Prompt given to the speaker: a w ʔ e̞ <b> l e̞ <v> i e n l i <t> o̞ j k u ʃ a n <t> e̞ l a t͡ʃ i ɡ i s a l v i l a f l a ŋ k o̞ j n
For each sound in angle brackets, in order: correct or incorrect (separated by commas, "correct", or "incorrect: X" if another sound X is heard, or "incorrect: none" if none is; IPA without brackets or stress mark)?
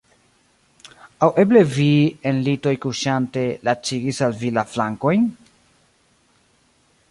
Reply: correct, correct, correct, correct